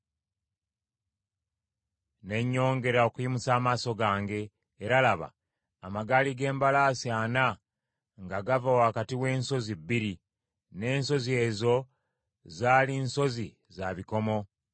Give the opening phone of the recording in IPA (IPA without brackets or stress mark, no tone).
n